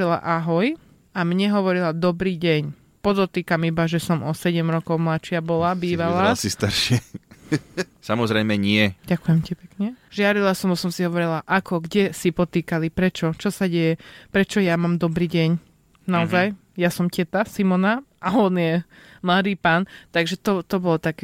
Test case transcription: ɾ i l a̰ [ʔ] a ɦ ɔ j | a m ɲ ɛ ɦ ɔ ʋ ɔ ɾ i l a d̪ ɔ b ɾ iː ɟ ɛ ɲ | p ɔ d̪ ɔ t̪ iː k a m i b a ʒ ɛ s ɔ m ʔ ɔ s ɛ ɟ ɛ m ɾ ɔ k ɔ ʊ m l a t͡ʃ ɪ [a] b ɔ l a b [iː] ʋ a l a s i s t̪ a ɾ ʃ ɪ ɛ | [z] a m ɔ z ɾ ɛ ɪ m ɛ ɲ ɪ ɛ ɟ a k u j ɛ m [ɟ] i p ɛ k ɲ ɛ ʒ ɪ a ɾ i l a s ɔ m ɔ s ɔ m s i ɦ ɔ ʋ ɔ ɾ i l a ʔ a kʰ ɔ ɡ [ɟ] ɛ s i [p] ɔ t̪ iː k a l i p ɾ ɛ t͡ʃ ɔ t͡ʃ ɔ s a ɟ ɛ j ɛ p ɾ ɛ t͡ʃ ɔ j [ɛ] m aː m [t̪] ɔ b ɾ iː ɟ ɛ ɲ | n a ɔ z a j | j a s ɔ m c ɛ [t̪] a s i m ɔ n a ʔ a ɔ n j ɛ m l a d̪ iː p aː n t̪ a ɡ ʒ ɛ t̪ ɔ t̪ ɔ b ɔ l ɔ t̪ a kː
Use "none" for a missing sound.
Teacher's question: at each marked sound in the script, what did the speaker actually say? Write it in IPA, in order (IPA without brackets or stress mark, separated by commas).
ʔ, a, iː, s, c, ɟ, p, a, d̪, t̪